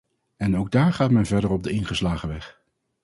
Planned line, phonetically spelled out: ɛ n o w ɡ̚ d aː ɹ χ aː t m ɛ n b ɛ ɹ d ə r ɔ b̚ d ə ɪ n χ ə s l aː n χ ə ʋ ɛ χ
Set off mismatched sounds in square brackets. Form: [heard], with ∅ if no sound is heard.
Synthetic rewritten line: ɛ n o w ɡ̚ d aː ɹ χ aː t m ɛ n [v] ɛ ɹ d ə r ɔ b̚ d ə ɪ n χ ə s l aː [∅] χ ə ʋ ɛ χ